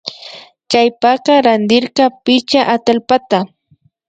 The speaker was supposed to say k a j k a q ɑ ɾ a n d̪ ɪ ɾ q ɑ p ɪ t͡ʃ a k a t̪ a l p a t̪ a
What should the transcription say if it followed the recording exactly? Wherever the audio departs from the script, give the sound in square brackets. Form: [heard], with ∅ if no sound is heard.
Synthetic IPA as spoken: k a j [p] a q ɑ ɾ a n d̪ ɪ ɾ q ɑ p ɪ t͡ʃ a [ʔ] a t̪ a l p a t̪ a